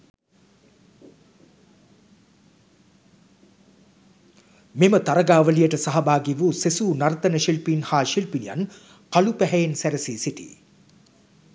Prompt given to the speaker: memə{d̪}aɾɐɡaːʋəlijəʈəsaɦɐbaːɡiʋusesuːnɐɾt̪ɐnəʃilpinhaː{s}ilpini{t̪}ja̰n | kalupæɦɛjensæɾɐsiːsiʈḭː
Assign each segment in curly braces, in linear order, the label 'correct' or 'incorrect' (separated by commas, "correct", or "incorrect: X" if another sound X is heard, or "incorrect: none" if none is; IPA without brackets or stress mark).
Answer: incorrect: t̪, incorrect: ʃ, incorrect: none